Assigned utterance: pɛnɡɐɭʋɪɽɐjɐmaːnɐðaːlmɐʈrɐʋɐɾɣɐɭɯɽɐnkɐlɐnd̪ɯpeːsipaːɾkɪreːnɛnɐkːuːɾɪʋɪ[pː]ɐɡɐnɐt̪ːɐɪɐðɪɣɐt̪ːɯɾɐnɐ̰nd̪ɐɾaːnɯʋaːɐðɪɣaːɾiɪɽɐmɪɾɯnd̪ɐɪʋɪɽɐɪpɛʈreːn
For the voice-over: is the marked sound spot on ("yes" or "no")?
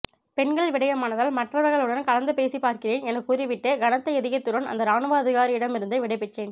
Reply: no